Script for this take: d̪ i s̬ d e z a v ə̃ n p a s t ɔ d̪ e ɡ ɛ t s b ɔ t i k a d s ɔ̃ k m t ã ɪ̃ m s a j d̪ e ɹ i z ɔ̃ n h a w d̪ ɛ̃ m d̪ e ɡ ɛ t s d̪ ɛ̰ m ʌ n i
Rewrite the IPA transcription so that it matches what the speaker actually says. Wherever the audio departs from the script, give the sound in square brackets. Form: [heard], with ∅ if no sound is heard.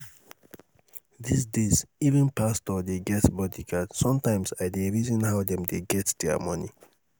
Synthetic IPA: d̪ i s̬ d e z [i] v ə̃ n p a s t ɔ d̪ e ɡ ɛ t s b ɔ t i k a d s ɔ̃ [∅] m t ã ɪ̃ m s a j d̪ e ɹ i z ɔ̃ n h a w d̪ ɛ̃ m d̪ e ɡ ɛ t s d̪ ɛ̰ m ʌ n i